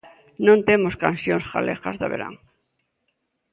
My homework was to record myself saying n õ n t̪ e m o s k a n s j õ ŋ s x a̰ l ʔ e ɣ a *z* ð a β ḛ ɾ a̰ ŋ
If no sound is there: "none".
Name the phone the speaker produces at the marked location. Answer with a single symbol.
z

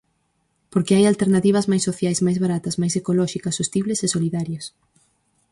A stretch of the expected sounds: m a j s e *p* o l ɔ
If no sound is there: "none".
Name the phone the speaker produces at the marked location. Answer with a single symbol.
k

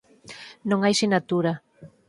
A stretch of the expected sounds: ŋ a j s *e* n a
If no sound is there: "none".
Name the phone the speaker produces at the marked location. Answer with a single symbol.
i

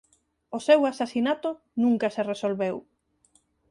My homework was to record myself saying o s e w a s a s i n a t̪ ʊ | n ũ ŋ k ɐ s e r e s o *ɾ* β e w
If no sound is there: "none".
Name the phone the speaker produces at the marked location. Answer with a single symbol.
l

